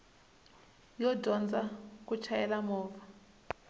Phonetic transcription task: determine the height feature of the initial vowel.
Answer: mid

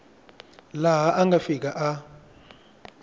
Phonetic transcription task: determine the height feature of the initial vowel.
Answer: low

